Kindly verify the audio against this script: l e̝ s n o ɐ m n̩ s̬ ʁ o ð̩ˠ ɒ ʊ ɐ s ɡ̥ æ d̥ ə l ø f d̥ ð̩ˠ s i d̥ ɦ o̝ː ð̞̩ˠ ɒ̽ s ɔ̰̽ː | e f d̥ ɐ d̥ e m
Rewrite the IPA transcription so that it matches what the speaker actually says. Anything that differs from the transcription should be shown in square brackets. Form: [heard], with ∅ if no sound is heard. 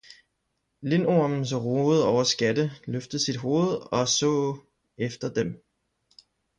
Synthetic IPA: l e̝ [∅] n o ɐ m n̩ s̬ ʁ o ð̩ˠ ɒ ʊ ɐ s ɡ̥ æ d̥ ə l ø f d̥ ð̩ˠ s i d̥ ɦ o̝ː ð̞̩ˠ ɒ̽ s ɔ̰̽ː | e f d̥ ɐ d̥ e m